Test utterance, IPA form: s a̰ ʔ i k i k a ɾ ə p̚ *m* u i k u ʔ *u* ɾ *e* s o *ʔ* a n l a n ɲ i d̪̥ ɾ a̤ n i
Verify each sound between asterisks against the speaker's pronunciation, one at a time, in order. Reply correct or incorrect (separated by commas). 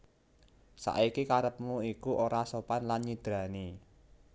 correct, incorrect, incorrect, incorrect